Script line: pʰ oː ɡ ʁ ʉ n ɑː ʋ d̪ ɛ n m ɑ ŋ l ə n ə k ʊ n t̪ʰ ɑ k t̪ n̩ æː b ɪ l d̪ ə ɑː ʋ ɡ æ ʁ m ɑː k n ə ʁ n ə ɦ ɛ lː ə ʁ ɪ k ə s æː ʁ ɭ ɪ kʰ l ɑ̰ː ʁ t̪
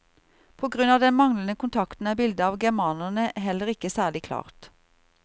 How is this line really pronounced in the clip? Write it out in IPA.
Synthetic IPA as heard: pʰ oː ɡ ʁ ʉ n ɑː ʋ d̪ ɛ n m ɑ ŋ l ə n ə k ʊ n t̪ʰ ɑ k t̪ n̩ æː b ɪ l d̪ ə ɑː ʋ ɡ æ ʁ m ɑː n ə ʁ n ə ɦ ɛ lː ə ʁ ɪ k ə s æː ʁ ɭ ɪ kʰ l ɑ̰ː ʁ t̪